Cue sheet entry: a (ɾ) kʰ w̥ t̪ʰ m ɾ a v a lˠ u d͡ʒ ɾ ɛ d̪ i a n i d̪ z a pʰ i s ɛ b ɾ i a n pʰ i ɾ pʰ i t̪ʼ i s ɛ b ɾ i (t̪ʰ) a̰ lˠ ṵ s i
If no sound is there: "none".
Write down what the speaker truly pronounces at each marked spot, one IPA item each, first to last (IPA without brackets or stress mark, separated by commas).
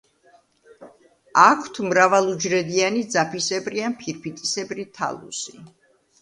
none, t̪ʰ